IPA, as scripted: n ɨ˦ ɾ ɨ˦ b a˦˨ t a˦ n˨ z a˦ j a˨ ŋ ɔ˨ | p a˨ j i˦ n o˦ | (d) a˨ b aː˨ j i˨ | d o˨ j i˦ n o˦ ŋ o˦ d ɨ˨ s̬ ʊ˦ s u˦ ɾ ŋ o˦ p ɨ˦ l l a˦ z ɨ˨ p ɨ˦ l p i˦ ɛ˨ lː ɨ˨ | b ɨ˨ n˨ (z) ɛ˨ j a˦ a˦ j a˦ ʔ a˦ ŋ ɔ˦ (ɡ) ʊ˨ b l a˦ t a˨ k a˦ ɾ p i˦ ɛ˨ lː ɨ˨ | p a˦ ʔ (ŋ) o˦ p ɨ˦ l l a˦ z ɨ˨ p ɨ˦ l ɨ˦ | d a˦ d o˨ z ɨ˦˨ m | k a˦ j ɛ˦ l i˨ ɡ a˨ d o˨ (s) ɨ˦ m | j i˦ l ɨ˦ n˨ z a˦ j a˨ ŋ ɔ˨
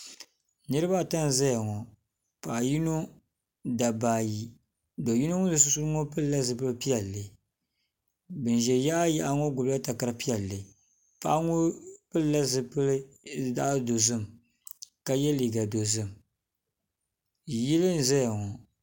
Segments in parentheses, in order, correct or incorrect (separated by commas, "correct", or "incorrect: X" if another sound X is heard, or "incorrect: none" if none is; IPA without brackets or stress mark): correct, incorrect: ʒ, correct, correct, incorrect: z